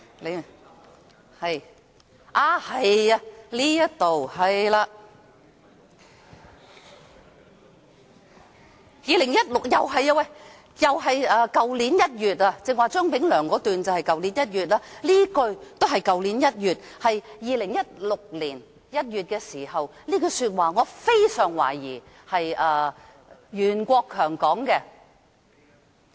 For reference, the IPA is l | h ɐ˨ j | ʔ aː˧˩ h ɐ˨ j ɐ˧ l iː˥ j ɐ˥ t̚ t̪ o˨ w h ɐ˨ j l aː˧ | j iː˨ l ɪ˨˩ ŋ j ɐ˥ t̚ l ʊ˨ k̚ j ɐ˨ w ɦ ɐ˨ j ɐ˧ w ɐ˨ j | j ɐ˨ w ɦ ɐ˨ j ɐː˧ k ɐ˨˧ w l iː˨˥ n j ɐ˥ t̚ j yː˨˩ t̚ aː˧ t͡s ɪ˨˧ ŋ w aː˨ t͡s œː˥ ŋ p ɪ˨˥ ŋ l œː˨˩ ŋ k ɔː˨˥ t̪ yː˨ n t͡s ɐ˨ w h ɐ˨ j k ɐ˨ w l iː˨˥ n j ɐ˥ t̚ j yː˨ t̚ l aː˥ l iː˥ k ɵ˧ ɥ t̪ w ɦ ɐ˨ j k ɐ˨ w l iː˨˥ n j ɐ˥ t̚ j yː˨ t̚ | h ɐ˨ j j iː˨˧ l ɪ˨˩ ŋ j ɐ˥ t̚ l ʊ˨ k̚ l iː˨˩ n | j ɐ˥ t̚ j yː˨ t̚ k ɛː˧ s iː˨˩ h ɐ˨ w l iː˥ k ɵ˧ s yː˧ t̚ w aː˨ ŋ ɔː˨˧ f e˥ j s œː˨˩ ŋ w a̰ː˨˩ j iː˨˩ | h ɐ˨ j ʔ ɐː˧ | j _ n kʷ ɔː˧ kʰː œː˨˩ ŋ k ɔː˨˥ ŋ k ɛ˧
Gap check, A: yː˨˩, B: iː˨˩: A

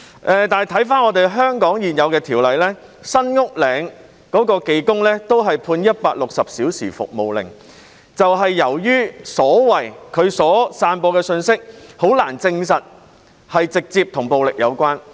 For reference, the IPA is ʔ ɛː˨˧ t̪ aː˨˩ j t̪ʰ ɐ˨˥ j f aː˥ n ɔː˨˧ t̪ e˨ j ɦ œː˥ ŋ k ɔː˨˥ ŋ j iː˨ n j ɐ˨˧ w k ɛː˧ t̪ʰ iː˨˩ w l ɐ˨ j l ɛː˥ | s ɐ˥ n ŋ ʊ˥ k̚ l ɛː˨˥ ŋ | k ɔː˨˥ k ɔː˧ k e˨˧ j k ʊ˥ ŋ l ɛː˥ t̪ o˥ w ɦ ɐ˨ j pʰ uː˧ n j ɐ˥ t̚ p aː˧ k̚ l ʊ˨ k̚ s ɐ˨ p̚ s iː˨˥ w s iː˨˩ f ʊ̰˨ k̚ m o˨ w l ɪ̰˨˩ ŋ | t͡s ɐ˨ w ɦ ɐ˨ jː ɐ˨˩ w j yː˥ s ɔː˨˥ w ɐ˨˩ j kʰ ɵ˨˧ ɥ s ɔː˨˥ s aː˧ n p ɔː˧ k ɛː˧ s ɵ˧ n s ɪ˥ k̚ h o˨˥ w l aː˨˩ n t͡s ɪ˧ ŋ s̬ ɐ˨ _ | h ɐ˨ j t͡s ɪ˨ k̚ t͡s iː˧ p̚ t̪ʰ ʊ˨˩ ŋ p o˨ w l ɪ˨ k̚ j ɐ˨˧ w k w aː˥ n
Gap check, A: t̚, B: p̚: A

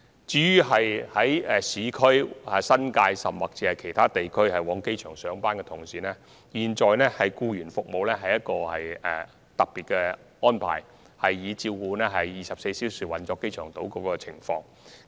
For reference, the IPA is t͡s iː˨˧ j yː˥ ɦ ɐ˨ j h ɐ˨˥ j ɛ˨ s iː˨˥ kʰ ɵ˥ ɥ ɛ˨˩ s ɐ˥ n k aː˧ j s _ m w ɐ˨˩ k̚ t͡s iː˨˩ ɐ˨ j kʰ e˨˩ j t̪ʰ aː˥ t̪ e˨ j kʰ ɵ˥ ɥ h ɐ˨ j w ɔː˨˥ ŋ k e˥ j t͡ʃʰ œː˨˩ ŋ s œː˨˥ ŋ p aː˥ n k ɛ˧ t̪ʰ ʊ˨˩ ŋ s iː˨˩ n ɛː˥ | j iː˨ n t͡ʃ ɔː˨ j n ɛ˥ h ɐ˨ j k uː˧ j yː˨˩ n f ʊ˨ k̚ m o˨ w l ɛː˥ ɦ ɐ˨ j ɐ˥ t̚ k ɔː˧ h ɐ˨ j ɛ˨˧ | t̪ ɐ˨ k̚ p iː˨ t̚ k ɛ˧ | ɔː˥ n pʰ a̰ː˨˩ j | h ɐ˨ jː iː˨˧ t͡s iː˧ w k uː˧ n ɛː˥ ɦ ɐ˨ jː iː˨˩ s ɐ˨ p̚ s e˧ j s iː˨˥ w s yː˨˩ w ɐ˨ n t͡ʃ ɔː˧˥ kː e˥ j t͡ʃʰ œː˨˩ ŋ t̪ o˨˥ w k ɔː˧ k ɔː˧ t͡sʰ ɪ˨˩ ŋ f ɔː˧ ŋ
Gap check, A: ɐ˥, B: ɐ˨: B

